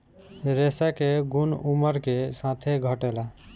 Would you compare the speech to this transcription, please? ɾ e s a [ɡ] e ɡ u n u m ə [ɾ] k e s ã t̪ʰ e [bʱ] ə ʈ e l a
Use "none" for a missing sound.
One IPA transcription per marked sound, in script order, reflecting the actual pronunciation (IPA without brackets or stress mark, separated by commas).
k, ɾ, ɡʱ